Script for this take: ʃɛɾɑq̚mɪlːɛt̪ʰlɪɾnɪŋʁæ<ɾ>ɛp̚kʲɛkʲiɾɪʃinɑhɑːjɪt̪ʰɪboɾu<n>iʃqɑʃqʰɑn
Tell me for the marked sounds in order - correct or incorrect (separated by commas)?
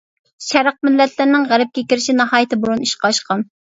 correct, correct